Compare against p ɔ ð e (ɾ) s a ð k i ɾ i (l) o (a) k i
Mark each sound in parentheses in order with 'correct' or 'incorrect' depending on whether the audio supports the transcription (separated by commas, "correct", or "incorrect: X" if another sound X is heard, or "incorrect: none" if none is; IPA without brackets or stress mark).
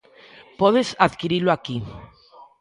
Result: incorrect: none, correct, correct